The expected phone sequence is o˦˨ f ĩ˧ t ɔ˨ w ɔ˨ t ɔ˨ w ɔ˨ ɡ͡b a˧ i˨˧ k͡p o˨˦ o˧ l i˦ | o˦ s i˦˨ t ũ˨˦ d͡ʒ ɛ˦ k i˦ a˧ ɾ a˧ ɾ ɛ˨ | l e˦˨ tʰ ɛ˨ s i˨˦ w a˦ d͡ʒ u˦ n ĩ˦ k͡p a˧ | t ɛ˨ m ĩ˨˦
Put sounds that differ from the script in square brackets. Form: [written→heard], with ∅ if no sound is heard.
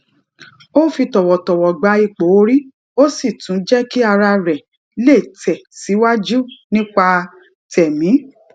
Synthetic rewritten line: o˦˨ f [ĩ˧→i˧] t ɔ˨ w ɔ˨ t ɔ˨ w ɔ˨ ɡ͡b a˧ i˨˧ k͡p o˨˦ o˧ [l→ɾ] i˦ | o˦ s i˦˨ t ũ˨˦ d͡ʒ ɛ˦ k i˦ a˧ ɾ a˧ ɾ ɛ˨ | l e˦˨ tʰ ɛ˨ s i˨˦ w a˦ d͡ʒ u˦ n ĩ˦ k͡p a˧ | t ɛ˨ m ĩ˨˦